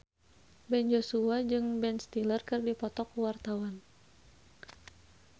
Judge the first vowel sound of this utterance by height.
mid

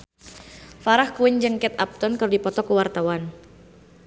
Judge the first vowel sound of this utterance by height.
low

